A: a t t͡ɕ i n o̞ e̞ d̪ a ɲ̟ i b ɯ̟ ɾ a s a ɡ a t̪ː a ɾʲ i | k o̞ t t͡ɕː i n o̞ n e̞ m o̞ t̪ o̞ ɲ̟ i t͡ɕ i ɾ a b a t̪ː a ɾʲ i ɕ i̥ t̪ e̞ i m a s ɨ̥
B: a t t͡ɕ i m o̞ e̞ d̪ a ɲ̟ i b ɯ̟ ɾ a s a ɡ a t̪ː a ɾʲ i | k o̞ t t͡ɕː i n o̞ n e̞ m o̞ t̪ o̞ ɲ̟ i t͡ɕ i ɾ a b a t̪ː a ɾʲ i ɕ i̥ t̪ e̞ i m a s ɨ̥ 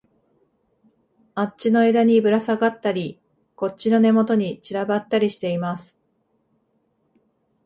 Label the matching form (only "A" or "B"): A